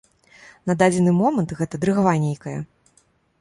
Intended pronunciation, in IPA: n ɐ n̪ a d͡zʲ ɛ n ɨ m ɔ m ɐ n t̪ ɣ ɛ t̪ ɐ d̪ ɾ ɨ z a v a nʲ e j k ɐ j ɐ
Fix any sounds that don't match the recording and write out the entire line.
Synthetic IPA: n ɐ d̪ a d͡zʲ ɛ n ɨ m ɔ m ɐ n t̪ ɣ ɛ t̪ ɐ d̪ ɾ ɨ ɣ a v a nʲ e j k ɐ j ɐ

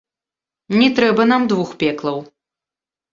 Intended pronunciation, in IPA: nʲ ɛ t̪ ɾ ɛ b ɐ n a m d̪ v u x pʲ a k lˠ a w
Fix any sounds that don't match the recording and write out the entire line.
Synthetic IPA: nʲ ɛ t̪ ɾ ɛ b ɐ n a m d̪ v u x pʲ ɛ k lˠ ɐ w

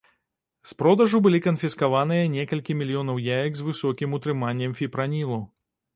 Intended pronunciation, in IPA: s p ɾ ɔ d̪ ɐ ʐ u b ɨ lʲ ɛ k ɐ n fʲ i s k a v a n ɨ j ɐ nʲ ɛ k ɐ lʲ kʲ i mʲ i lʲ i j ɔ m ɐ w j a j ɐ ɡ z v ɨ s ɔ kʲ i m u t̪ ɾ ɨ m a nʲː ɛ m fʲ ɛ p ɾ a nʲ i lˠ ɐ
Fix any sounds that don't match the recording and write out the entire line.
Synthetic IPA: s p ɾ ɔ d̪ ɐ ʐ u b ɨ lʲ i k ɐ n fʲ i s k a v a n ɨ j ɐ nʲ ɛ k ɐ lʲ kʲ i mʲ i lʲ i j ɔ n ɐ w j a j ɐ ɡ z v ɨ s ɔ kʲ i m u t̪ ɾ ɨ m a nʲː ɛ m fʲ i p ɾ a nʲ i lˠ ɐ

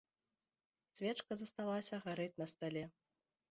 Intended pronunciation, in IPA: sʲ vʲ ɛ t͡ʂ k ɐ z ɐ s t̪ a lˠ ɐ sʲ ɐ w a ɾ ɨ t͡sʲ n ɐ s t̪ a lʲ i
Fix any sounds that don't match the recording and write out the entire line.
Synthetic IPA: sʲ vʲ ɛ t͡ʂ k ɐ z ɐ s t̪ a lˠ a sʲ ɐ ɣ a ɾ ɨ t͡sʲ n ɐ s t̪ a lʲ ɛ

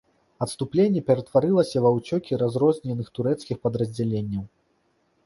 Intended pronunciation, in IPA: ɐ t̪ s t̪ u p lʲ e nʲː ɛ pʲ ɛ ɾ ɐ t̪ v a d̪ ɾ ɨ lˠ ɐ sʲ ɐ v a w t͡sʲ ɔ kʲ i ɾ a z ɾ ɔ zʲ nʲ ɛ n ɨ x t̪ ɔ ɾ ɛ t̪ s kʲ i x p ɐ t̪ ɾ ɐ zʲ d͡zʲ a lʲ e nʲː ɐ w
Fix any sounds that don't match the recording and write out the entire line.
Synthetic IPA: ɐ t̪ s t̪ u p lʲ e nʲː ɛ pʲ ɛ ɾ ɐ t̪ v a ɾ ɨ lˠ ɐ sʲ ɐ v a w t͡sʲ ɔ kʲ i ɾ a z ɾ ɔ zʲ nʲ ɛ n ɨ x t̪ u ɾ ɛ t̪ s kʲ i x p ɐ d̪ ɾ ɐ zʲ d͡zʲ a lʲ e nʲː ɐ w

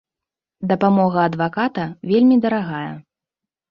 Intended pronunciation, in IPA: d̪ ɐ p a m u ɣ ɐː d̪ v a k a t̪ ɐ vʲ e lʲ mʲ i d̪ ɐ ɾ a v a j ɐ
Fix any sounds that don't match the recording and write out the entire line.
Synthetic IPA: d̪ ɐ p a m ɔ ɣ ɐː d̪ v a k a t̪ ɐ vʲ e lʲ mʲ i d̪ ɐ ɾ a ɣ a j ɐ

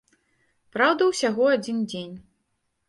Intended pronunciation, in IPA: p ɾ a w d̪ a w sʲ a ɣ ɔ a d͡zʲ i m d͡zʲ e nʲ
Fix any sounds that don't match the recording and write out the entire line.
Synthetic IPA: p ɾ a w d̪ ɐ w sʲ a ɣ ɔ a d͡zʲ i n d͡zʲ e nʲ

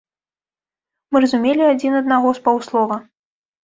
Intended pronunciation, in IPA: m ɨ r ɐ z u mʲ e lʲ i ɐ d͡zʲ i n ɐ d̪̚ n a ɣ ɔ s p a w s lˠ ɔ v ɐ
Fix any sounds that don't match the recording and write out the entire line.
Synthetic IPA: m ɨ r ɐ z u mʲ e lʲ i a d͡zʲ i n ɐ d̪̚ n a ɣ ɔ s p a w s lˠ ɔ v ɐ

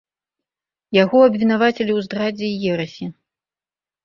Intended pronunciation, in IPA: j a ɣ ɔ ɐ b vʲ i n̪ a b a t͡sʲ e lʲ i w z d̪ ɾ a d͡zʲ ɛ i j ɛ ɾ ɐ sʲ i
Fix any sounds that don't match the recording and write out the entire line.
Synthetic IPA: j a ɣ ɔ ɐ b vʲ i n̪ a v a t͡sʲ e lʲ i w z d̪ ɾ a d͡zʲ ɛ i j ɛ ɾ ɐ sʲ i

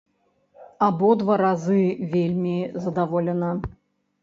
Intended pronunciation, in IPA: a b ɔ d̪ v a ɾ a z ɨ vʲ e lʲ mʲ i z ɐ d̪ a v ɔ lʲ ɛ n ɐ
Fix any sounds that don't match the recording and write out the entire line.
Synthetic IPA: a b ɔ d̪ v a ɾ a z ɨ vʲ e lʲ mʲ i z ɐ d̪ a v ɔ lʲ ɛ n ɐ

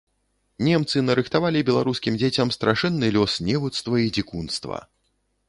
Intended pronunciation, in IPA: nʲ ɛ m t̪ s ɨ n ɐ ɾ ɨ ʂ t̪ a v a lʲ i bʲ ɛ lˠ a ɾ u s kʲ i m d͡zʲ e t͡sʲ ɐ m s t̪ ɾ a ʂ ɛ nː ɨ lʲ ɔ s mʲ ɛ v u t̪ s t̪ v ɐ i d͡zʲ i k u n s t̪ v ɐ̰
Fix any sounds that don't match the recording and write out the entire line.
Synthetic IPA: nʲ ɛ m t̪ s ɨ n ɐ ɾ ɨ x t̪ a v a lʲ i bʲ ɛ lˠ a ɾ u s kʲ i m d͡zʲ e t͡sʲ ɐ m s t̪ ɾ a ʂ ɛ nː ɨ lʲ ɔ s nʲ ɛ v u t̪ s t̪ v ɐ i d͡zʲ i k u n s t̪ v ɐ̰

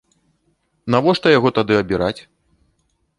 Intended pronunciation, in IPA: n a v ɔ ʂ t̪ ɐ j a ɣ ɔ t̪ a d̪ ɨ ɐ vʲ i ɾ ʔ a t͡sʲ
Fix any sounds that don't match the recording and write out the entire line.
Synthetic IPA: n a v ɔ ʂ t̪ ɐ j a ɣ ɔ t̪ a d̪ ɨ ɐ bʲ i ɾ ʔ a t͡sʲ

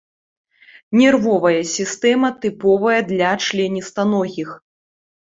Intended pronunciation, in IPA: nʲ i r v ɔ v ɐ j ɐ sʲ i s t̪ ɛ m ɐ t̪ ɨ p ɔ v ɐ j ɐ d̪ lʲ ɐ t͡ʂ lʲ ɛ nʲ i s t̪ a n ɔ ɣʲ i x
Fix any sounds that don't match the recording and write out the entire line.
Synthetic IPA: nʲ ɛ r v ɔ v ɐ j ɐ sʲ i s t̪ ɛ m ɐ t̪ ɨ p ɔ v ɐ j ɐ d̪ lʲ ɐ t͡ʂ lʲ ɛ nʲ i s t̪ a n ɔ ɣʲ i x

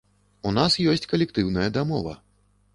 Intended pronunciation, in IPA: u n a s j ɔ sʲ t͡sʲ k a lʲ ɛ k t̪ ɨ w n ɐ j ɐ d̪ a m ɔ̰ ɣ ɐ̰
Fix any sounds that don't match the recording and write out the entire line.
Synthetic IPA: u n a s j ɔ sʲ t͡sʲ k ɐ lʲ ɛ k t̪ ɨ w n ɐ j ɐ d̪ a m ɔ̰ v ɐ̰

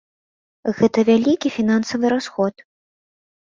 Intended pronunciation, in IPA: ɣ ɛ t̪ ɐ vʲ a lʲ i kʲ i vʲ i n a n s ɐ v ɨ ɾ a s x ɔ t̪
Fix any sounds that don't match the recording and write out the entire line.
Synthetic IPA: ɣ ɛ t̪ ɐ vʲ a lʲ i kʲ i fʲ i n a n s ɐ v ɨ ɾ a s x ɔ t̪

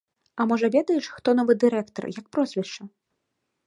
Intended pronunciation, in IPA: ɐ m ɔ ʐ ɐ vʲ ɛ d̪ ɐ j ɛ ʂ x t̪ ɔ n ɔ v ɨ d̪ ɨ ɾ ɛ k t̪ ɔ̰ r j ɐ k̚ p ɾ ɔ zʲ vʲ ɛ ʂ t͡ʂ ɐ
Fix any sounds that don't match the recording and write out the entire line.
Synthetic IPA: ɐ m ɔ ʐ ɐ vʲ ɛ d̪ ɐ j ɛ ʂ x t̪ ɔ n ɔ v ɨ d̪ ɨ ɾ ɛ k t̪ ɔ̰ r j ɐ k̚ p ɾ ɔ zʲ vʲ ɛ ʂ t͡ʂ ɐ

